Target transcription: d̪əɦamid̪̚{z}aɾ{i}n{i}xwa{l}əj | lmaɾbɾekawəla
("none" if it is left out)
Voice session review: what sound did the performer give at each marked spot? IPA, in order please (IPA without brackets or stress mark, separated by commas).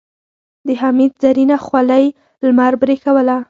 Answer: z, i, a, l